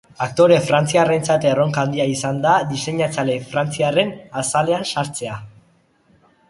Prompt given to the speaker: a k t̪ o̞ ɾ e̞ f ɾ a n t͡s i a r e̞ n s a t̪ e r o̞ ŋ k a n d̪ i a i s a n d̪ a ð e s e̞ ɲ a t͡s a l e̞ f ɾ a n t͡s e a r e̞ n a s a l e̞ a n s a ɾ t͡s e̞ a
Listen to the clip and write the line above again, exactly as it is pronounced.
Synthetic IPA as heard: a k t̪ o̞ ɾ e̞ f ɾ a n t͡s i a r e̞ n t͡s a t̪ e r o̞ ŋ k a n d̪ i a i s a n d̪ a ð i s e̞ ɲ a t͡s a l e̞ f ɾ a n t͡s i a r e̞ n a s a l e̞ a n s a ɾ t͡s e̞ a